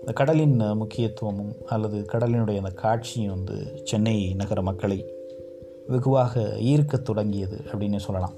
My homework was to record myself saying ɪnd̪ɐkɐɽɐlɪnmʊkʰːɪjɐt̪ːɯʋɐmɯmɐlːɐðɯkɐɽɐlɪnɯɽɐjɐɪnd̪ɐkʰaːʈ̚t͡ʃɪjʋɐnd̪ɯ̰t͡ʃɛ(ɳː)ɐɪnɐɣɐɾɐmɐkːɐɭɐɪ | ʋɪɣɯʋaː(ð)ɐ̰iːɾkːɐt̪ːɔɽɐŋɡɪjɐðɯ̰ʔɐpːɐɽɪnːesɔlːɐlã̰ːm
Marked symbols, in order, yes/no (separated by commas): no, no